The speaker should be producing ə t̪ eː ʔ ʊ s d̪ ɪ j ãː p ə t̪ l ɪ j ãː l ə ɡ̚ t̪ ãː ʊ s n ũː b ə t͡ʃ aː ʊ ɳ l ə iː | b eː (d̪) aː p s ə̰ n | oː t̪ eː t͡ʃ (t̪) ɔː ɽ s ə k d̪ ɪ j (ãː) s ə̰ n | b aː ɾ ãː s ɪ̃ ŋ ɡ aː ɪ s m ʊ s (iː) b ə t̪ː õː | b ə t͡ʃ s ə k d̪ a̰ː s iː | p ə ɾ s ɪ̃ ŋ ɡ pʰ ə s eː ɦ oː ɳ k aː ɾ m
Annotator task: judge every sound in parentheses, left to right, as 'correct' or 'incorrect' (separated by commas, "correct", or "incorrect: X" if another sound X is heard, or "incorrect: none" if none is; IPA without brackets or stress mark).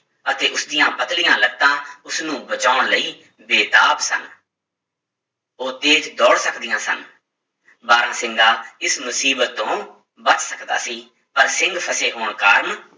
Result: incorrect: t̪, incorrect: d̪, correct, correct